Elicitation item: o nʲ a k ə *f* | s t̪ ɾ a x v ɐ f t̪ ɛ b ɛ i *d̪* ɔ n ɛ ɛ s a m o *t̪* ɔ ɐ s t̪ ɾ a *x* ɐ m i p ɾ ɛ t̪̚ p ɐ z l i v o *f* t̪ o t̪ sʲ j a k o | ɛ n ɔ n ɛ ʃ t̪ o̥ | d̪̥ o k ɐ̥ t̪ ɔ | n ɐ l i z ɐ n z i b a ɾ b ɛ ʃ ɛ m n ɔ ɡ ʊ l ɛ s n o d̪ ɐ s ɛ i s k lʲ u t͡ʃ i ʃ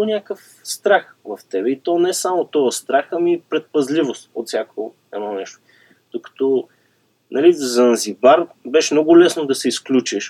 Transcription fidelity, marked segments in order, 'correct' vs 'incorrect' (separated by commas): correct, incorrect, correct, correct, incorrect